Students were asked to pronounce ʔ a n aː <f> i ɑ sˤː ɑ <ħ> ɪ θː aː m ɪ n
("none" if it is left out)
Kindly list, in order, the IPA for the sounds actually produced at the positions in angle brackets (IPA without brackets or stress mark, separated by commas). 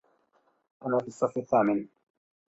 f, f